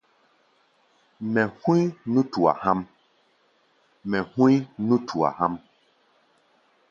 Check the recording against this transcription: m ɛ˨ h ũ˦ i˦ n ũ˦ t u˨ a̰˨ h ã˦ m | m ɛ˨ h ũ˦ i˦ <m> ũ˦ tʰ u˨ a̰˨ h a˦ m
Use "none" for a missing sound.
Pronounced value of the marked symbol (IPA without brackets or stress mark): n